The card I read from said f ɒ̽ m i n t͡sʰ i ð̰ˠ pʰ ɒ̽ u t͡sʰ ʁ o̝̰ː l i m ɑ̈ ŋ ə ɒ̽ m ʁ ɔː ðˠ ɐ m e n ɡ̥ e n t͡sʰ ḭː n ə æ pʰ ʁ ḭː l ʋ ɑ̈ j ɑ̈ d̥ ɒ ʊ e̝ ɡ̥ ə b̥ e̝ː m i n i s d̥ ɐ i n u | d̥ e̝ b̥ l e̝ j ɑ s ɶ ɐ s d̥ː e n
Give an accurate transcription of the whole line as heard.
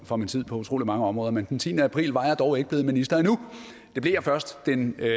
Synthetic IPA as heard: f ɒ̽ m i n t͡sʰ i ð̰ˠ pʰ ɒ̽ u t͡sʰ ʁ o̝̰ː l i m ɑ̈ ŋ ə ɒ̽ m ʁ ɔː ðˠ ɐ m e n d̥ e n t͡sʰ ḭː n ə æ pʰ ʁ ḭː l ʋ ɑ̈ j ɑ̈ d̥ ɒ ʊ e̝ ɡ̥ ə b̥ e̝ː m i n i s d̥ ɐ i n u | d̥ e̝ b̥ l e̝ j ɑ f ɶ ɐ s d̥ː e n

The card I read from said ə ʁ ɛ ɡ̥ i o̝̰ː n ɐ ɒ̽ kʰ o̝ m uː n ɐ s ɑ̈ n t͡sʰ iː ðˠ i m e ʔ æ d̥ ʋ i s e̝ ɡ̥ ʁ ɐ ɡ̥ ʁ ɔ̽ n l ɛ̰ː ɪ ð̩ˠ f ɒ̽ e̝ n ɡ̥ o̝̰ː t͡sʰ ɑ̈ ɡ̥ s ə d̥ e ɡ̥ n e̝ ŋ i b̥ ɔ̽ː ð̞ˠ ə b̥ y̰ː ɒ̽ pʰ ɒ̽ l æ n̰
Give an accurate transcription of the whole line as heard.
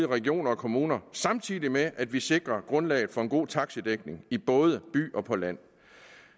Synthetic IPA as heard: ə ʁ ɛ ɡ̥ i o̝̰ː n ɐ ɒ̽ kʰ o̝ m uː n ɐ s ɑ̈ m t͡sʰ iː ðˠ i m e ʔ æ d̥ ʋ i s e̝ ɡ̥ ʁ ɐ ɡ̥ ʁ ɔ̽ n l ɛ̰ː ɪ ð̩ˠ f ɒ̽ e̝ n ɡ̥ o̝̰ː t͡sʰ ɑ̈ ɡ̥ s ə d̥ e ɡ̥ n e̝ ŋ i b̥ ɔ̽ː ð̞ˠ ə b̥ y̰ː ɒ̽ pʰ ɒ̽ l æ n̰

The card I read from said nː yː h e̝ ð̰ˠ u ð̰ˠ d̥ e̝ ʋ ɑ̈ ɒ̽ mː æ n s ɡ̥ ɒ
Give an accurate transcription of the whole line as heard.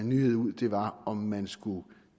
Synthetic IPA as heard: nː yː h e̝ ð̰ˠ u ð̰ˠ d̥ e̝ ʋ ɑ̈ ɒ̽ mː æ n s ɡ̥ u

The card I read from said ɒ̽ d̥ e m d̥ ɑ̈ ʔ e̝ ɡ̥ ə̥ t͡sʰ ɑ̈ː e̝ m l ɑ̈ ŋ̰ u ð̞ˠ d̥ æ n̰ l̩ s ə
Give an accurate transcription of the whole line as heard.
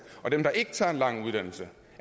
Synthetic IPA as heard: ɒ̽ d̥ e m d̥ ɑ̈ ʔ e̝ ɡ̥ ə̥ t͡sʰ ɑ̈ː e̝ n l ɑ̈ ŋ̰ u ð̞ˠ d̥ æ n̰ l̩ s ə

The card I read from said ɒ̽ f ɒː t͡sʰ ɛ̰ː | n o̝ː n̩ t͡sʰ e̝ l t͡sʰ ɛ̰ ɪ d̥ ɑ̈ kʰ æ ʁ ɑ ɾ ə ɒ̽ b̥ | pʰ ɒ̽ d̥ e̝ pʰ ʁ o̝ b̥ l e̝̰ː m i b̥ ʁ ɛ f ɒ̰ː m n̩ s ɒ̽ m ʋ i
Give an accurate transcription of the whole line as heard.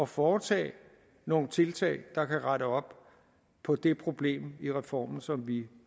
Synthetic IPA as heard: ɒ̽ f ɒː t͡sʰ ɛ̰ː | n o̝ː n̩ t͡sʰ e̝ l t͡sʰ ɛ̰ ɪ d̥ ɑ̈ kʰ æ ʁ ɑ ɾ ə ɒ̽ b̥ | pʰ ɒ̽ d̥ e̝ pʰ ʁ o̝ b̥ l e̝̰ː m i ʁ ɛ f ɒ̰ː m n̩ s ɒ̽ m ʋ i

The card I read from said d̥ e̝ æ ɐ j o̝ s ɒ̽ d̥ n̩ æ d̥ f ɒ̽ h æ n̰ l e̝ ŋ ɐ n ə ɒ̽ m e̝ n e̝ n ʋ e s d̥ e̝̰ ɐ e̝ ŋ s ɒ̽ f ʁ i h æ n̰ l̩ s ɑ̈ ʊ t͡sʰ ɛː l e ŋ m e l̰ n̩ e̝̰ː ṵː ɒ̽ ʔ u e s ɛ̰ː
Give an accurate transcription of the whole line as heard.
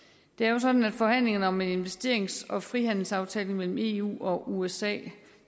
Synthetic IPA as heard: d̥ e̝ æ ɐ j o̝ s ɒ̽ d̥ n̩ æ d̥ f ɒ̽ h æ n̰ l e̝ ŋ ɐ n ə ɒ̽ m e̝ n e̝ n ʋ e s d̥ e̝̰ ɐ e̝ ŋ s ɒ̽ f ʁ i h æ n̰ l̩ s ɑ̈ ʊ t͡sʰ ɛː l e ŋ m e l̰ m̩ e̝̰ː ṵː ɒ̽ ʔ u e s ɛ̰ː

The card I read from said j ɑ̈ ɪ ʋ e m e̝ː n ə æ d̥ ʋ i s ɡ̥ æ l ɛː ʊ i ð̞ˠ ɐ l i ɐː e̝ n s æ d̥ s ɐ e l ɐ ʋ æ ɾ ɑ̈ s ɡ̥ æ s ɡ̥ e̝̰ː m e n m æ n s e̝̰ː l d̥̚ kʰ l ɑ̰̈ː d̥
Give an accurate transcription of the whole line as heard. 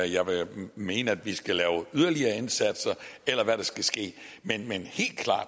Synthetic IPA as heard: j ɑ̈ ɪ ʋ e m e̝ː n ə æ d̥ ʋ i s ɡ̥ æ l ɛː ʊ y ð̞ˠ ɐ l i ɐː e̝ n s æ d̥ s ɐ e l ɐ ʋ æ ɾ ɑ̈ s ɡ̥ æ s ɡ̥ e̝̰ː m e n m e n h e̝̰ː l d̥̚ kʰ l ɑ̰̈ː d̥

